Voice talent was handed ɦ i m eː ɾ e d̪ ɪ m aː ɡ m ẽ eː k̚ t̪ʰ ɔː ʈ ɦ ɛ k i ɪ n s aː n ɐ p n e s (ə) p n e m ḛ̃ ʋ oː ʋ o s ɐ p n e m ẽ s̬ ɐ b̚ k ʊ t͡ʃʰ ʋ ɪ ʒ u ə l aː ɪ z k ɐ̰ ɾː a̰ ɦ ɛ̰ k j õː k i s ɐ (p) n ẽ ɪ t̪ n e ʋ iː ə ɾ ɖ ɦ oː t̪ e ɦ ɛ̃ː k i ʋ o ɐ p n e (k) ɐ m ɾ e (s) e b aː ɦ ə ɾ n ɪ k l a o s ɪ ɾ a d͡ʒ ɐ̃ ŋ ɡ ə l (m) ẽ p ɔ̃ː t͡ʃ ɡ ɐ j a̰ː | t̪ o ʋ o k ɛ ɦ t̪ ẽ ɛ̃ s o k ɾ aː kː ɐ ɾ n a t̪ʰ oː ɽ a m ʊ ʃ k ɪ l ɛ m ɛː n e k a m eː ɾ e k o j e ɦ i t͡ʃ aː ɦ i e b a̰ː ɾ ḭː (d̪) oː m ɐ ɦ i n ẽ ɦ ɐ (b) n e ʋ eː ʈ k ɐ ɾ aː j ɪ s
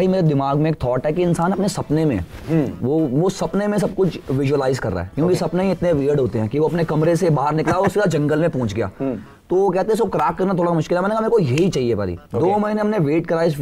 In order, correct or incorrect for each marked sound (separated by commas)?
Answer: incorrect, correct, correct, correct, correct, correct, incorrect